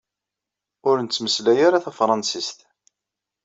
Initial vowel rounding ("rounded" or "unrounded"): rounded